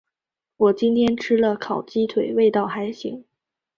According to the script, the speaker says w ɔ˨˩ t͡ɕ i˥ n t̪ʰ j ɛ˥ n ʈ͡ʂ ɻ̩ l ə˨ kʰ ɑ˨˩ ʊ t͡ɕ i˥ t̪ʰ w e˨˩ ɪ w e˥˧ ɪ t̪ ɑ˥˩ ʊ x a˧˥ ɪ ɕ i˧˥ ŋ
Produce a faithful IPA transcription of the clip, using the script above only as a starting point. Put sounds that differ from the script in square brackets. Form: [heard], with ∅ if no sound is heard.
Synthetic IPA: w ɔ˨˩ t͡ɕ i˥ n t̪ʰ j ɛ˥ n [ʈ͡ʂʰ] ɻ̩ l ə˨ kʰ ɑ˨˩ ʊ t͡ɕ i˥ t̪ʰ w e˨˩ ɪ w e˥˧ ɪ t̪ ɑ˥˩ ʊ x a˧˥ ɪ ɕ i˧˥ ŋ